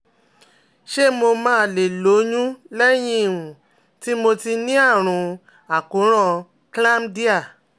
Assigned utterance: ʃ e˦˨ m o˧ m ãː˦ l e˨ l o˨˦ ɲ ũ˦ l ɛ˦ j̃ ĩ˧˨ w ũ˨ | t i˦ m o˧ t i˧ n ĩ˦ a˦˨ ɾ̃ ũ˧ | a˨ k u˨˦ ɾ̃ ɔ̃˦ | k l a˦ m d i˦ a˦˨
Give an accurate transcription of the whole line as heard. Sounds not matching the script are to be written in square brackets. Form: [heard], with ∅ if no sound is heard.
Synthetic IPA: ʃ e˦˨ m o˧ m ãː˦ l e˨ l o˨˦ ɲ ũ˦ l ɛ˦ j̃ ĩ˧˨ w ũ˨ | t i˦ m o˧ t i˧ n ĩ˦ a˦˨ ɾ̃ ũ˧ | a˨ k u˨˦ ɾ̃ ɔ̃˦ | k l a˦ m d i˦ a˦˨